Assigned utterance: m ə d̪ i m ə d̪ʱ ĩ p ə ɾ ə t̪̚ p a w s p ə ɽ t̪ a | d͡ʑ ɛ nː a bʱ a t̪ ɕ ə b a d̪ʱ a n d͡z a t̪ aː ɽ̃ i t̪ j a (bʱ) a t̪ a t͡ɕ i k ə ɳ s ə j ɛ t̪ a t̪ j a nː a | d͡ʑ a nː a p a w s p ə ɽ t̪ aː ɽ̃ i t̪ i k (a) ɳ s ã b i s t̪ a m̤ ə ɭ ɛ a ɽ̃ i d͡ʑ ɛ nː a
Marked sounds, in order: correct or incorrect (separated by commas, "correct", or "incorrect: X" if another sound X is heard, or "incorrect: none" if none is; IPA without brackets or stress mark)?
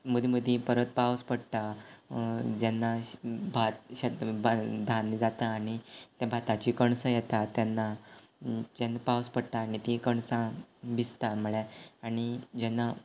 correct, incorrect: ə